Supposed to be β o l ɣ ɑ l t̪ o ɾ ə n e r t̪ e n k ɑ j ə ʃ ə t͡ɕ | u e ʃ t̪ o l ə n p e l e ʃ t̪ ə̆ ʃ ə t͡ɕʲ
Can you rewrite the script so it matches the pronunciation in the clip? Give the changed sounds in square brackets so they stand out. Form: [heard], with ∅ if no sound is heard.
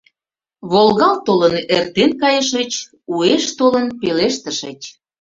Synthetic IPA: β o l ɣ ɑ l t̪ o [l] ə n e r t̪ e n k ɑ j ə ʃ ə t͡ɕ | u e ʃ t̪ o l ə n p e l e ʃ t̪ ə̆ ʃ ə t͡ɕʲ